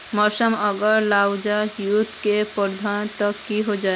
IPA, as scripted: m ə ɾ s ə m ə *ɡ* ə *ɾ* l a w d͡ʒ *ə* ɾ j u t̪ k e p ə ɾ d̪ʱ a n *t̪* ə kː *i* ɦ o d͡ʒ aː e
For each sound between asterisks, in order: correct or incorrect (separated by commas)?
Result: correct, correct, incorrect, correct, correct